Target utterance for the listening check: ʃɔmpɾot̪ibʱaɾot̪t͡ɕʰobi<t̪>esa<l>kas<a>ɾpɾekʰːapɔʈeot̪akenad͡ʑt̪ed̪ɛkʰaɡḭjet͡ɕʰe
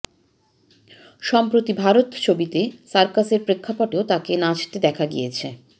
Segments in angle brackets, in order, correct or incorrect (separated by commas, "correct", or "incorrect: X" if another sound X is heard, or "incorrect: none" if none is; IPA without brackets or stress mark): correct, incorrect: ɾ, incorrect: e